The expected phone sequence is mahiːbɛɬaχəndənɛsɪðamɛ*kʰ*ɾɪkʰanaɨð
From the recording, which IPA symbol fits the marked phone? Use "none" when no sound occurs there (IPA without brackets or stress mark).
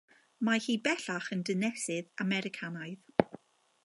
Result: none